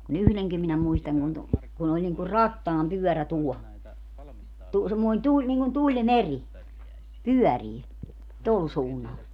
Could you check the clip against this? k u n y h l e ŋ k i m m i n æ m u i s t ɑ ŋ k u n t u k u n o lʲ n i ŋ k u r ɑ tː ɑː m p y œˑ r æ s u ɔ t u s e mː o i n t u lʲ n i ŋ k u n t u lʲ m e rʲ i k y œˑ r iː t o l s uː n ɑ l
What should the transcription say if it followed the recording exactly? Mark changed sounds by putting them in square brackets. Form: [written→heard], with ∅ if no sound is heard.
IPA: k u n y h l e ŋ k i m m i n æ m u i s t ɑ ŋ k u n t u k u n o lʲ n i ŋ k u r ɑ tː ɑː m p y œˑ r æ [s→t] u ɔ t u s e mː o i n t u lʲ n i ŋ k u n t u lʲ m e rʲ i [k→p] y œˑ r iː t o l s uː [n→nː] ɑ l